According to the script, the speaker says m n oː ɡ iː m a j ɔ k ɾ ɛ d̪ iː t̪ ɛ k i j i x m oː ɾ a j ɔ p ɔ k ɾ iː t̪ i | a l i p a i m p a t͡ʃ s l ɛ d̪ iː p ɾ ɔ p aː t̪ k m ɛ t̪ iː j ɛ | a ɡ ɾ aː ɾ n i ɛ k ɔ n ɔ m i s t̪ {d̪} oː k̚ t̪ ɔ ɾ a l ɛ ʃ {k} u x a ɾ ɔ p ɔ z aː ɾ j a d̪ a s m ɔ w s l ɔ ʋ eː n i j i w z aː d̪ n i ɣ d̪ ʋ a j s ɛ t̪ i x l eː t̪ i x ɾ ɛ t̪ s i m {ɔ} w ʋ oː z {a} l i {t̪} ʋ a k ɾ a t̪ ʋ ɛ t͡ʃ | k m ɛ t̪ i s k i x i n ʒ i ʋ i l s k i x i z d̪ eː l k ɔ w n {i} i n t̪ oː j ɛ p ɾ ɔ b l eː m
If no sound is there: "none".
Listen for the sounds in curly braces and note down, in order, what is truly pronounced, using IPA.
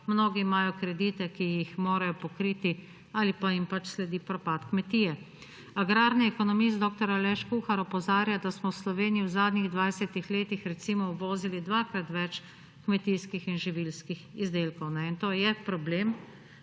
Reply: d̪, k, ɔ, i, d̪, ɛ

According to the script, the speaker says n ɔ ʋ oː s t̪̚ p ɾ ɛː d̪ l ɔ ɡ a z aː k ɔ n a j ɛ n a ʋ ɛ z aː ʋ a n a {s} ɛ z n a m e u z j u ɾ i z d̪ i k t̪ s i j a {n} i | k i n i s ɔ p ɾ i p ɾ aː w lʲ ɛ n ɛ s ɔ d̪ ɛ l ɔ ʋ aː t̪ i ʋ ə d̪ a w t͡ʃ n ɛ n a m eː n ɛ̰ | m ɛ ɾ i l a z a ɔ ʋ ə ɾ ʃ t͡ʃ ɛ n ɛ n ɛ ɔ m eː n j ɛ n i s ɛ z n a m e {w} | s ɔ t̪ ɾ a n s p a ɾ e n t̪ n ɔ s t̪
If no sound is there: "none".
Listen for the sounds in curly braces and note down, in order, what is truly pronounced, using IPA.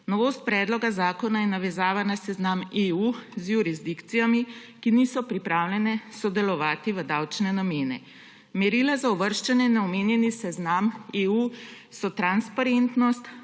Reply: s, m, u

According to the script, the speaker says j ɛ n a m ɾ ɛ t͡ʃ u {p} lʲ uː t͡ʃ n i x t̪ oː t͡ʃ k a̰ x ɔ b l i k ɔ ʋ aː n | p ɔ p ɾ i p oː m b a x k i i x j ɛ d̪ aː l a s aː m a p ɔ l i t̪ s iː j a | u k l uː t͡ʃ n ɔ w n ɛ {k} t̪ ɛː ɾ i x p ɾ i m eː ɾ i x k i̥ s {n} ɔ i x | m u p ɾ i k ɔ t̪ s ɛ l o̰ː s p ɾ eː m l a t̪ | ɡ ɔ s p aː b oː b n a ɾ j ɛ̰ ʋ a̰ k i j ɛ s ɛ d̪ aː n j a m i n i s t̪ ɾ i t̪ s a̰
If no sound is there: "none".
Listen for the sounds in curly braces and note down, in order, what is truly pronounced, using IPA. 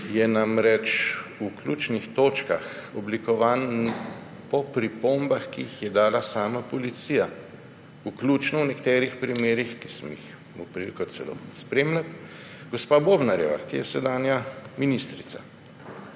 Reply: k, k, m

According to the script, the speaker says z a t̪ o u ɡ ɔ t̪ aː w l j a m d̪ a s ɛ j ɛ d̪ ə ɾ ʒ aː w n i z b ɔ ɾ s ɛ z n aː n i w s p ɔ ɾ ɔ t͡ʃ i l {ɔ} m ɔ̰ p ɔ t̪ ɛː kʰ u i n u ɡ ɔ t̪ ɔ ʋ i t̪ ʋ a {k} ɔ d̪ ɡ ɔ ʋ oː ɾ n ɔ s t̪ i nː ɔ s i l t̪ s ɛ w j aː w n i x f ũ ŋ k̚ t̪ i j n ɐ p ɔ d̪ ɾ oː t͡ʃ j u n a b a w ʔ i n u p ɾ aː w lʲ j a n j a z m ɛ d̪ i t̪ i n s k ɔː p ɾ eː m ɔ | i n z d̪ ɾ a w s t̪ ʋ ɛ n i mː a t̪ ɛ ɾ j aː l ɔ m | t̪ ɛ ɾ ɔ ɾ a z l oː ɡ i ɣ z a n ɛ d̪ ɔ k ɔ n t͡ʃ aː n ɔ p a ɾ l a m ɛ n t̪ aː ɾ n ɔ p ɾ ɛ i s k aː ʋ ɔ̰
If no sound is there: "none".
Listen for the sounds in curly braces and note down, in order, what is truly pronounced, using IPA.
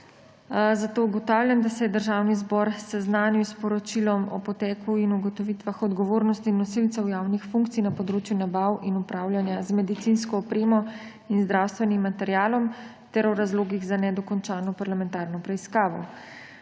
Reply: ɔ, x

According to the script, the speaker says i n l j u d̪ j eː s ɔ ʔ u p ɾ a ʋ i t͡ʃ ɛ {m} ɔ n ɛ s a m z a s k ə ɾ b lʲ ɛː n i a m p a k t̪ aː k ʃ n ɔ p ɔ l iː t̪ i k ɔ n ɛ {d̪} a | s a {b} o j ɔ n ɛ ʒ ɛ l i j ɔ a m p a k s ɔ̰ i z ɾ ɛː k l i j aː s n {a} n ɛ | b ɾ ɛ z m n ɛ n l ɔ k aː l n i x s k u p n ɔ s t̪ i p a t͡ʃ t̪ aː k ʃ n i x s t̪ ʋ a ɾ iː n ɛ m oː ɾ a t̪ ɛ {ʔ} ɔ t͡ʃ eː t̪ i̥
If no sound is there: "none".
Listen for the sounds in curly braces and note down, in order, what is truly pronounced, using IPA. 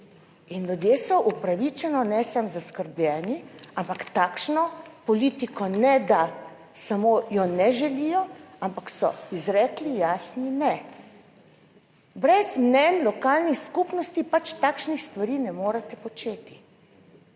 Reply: n, d̪, m, i, p

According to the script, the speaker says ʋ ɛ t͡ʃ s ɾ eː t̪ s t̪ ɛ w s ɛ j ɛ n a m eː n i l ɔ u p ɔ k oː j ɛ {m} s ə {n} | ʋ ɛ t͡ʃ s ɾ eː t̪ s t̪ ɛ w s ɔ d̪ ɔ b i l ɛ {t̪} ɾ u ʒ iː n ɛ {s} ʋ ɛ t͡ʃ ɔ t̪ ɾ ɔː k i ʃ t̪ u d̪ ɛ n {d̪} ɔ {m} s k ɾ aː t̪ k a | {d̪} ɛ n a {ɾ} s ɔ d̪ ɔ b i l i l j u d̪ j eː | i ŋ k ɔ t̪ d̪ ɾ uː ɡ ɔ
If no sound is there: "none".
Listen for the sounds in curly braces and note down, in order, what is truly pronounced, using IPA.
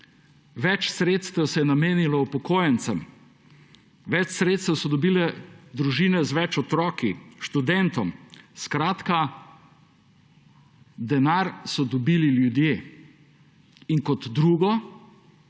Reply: n, m, d̪, z, t̪, m, d̪, ɾ

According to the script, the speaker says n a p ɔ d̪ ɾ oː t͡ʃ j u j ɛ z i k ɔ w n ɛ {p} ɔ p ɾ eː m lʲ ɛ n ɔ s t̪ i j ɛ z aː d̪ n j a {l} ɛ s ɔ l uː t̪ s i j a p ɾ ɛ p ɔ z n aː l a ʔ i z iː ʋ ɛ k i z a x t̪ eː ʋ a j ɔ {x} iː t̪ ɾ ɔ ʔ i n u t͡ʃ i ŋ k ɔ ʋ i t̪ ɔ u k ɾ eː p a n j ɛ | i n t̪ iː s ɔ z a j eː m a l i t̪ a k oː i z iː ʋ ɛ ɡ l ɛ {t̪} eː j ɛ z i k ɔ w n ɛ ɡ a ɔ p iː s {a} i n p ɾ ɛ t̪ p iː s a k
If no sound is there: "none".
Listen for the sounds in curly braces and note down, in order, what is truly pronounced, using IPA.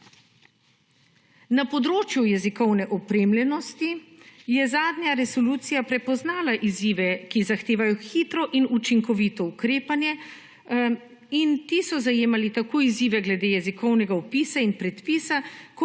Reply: ʔ, ɾ, x, d̪, a

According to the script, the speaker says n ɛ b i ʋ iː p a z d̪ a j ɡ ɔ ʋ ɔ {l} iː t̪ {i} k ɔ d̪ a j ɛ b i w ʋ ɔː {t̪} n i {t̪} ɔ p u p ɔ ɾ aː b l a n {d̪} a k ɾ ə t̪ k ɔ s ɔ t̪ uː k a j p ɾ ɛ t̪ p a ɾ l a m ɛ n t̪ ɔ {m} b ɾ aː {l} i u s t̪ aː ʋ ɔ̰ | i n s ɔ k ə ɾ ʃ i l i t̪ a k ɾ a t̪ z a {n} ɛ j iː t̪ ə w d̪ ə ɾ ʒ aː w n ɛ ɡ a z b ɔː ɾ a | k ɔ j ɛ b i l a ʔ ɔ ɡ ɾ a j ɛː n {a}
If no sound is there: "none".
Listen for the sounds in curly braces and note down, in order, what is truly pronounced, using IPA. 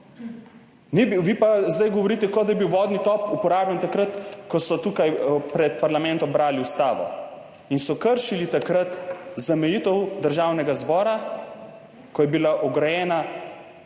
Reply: ɾ, ɛ, d̪, t̪, t̪, m, l, m, a

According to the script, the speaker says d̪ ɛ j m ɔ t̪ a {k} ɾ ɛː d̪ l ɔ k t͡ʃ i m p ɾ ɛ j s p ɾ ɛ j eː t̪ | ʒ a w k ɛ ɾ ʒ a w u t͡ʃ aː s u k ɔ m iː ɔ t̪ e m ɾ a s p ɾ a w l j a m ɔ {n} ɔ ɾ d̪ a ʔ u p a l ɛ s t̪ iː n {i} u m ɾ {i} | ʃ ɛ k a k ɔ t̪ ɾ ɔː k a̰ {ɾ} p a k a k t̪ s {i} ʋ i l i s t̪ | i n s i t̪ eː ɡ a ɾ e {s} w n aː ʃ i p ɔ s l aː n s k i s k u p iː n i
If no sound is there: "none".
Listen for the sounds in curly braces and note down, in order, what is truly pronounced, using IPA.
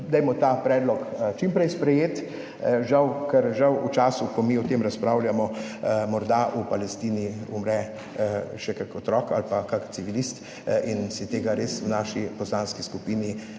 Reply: p, m, i, ɛ, l, i, s

